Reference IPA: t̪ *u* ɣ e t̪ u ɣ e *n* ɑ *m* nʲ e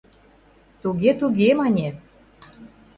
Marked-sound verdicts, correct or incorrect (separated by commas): correct, incorrect, incorrect